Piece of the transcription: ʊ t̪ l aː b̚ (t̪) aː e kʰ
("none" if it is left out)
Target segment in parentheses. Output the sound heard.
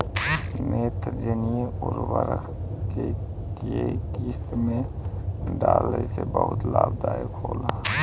d̪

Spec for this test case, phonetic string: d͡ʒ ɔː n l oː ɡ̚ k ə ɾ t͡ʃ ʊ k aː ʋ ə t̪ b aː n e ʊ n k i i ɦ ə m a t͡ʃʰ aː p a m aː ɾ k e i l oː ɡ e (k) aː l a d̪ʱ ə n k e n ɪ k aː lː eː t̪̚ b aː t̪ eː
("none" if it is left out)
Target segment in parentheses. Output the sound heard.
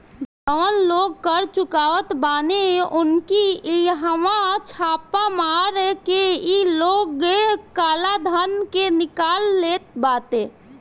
k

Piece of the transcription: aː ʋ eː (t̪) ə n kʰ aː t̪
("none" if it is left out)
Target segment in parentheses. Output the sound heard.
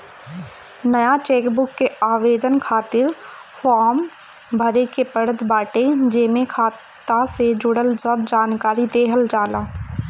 d̪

